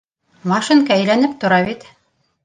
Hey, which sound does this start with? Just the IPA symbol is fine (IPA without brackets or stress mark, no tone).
m